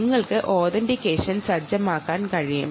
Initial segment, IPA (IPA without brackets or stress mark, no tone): ŋː